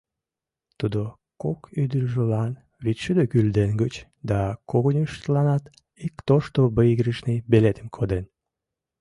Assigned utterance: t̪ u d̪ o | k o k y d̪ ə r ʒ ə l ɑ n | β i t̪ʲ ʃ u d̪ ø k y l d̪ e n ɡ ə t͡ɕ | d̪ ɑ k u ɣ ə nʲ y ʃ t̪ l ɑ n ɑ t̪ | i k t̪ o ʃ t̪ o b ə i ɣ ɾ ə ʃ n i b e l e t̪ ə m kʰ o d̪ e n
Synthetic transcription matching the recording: t̪ u d̪ o | k o k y d̪ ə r ʒ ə l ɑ n | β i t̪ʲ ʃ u d̪ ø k y l d̪ e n ɡ ə t͡ɕ | d̪ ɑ k o ɣ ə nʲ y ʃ t̪ l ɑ n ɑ t̪ | i k t̪ o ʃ t̪ o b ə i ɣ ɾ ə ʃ n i b e l e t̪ ə m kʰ o d̪ e n